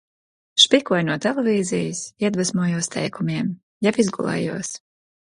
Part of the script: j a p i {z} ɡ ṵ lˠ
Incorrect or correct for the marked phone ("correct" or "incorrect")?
correct